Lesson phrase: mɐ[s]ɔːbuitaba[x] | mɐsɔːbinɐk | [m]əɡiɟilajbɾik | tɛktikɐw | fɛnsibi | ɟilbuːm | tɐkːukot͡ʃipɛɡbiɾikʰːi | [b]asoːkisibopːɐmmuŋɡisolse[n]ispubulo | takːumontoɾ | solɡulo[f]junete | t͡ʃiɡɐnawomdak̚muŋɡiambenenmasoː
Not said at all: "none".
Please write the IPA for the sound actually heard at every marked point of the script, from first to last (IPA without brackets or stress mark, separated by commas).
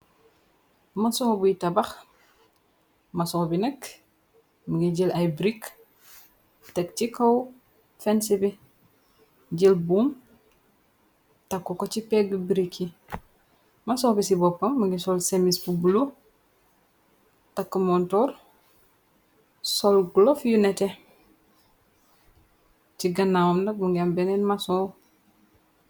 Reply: s, x, m, m, m, f